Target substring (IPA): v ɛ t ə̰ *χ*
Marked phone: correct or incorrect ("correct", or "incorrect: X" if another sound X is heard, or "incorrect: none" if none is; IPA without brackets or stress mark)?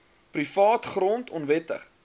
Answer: correct